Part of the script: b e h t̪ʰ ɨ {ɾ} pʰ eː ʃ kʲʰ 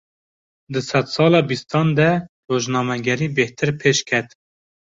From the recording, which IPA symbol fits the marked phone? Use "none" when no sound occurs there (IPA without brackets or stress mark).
ɾ